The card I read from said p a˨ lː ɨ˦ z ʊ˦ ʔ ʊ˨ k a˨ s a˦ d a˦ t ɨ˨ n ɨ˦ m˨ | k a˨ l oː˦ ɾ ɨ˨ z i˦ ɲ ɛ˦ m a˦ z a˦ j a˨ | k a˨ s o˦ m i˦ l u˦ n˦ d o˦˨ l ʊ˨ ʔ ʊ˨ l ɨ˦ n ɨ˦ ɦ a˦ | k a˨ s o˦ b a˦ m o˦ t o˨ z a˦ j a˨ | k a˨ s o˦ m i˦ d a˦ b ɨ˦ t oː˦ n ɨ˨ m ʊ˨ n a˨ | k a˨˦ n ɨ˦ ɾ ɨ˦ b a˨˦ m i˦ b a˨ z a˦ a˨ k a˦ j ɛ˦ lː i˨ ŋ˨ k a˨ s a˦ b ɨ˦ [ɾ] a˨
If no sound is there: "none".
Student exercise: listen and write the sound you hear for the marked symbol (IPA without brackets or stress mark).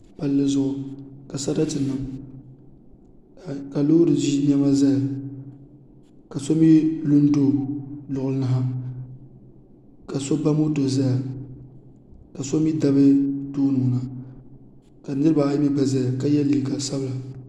l